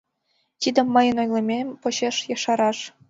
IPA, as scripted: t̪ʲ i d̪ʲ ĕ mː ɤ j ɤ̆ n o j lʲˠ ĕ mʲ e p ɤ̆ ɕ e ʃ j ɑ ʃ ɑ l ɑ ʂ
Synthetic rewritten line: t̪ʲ i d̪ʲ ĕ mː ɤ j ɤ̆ n o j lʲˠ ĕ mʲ e p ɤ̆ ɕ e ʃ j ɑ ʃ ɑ ɾ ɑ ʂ